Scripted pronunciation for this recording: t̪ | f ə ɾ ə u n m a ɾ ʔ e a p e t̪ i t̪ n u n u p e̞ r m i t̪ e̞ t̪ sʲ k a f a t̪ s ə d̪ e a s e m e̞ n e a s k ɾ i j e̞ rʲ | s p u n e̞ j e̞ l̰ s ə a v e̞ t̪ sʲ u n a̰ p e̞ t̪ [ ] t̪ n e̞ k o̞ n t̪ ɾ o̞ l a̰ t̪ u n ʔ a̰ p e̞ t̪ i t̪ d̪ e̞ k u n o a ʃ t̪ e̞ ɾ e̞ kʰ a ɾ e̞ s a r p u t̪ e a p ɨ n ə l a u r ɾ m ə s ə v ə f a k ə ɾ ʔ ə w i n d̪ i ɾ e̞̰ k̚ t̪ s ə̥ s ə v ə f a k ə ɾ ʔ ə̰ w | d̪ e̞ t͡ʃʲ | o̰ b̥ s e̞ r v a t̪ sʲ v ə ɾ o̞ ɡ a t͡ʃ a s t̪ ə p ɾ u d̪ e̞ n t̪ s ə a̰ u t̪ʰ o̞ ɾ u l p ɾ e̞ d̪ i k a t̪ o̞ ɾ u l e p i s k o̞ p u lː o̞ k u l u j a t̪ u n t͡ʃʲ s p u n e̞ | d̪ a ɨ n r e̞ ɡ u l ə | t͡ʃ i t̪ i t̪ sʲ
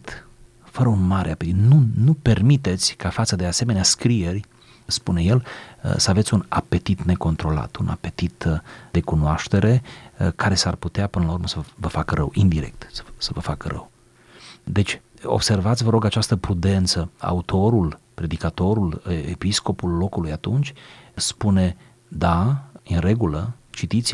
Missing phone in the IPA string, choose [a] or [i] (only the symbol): i